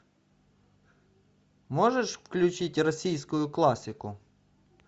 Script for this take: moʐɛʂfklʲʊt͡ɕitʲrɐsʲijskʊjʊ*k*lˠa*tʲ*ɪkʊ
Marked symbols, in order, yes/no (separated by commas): yes, no